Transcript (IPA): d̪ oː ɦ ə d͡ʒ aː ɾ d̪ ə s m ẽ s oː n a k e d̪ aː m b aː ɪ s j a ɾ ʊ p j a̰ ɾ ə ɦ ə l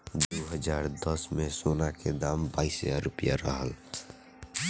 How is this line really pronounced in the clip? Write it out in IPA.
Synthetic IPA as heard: d̪ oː ɦ ə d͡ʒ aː ɾ d̪ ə s m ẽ s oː n a k e d̪ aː m b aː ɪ s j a ɾ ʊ p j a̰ ɾ ə ɦ ə l

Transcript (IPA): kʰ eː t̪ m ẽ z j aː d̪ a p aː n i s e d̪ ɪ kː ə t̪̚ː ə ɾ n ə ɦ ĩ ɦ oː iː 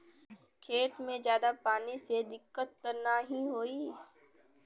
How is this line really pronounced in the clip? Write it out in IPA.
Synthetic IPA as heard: kʰ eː t̪ m ẽ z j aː d̪ a p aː n i s e d̪ ɪ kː ə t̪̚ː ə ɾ n a ɦ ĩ ɦ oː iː

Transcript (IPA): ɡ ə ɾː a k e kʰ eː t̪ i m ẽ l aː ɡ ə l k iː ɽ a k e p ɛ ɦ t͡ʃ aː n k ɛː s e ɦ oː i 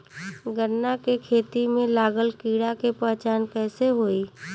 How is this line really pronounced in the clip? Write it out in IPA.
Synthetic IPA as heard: ɡ ə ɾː a k e kʰ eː t̪ i m ẽ l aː ɡ ə l k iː ɽ a k e p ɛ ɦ t͡ʃ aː n k ɛː s e ɦ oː i

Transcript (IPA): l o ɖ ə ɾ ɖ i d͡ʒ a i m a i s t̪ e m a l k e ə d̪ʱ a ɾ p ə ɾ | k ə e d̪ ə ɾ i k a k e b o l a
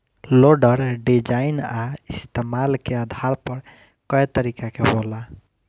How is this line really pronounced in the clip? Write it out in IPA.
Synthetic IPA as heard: l o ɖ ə ɾ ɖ i d͡ʒ a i n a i s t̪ e m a l k e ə d̪ʱ a ɾ p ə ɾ | k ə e t̪ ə ɾ i k a k e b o l a

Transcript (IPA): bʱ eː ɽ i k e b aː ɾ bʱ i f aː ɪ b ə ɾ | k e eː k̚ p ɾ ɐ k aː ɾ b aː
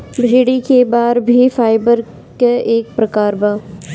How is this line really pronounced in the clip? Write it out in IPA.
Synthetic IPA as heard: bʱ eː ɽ i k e b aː ɾ bʱ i f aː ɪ b ə ɾ | k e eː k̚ p ɾ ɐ k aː ɾ b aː

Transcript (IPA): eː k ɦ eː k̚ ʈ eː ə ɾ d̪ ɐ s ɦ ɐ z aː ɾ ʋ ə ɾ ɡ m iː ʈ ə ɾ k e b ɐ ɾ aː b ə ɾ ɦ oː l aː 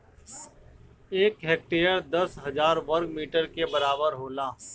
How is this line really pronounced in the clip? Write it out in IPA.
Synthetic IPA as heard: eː k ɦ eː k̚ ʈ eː ə ɾ d̪ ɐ s ɦ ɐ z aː ɾ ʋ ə ɾ ɡ m iː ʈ ə ɾ k e b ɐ ɾ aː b ə ɾ ɦ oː l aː

